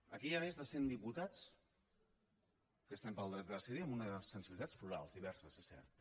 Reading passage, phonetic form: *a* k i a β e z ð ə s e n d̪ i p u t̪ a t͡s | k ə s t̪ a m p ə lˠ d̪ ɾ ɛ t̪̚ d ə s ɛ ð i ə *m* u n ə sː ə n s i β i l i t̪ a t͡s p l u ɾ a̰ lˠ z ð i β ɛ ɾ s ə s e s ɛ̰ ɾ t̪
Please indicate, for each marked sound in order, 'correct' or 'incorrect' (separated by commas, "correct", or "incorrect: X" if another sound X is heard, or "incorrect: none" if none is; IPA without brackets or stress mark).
incorrect: ə, correct